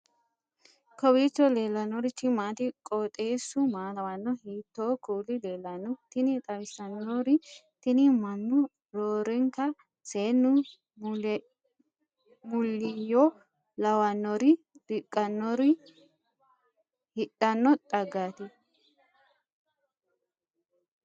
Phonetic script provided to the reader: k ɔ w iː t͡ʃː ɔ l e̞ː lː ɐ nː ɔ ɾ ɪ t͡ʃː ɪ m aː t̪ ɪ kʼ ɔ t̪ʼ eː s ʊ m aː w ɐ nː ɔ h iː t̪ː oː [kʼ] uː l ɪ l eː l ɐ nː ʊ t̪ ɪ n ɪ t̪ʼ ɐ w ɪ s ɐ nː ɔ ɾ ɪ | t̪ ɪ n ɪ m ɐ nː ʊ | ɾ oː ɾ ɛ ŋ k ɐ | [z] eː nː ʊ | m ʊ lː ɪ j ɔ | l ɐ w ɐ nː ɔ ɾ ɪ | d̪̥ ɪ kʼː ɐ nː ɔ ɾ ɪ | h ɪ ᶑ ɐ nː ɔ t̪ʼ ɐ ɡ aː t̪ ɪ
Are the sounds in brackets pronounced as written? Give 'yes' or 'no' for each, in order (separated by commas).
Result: no, no